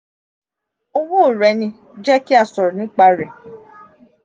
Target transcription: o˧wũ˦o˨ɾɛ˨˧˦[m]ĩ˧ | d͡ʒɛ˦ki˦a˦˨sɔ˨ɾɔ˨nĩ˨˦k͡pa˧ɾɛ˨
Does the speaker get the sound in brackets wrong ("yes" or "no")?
yes